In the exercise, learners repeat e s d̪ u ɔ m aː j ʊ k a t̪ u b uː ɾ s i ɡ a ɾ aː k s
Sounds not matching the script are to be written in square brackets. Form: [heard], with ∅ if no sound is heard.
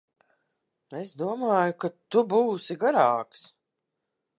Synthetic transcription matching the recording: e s d̪ u ɔ m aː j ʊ k a t̪ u b uː [∅] s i ɡ a ɾ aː k s